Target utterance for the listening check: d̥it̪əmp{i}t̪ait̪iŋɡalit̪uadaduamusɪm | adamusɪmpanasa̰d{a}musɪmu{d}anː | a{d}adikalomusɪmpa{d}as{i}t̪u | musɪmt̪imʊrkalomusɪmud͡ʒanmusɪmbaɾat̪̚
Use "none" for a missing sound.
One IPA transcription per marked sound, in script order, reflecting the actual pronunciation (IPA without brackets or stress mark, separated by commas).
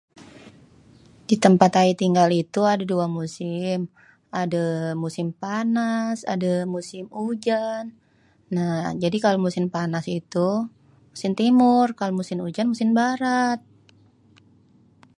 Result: a, a, d͡ʒ, d͡ʒ, n, i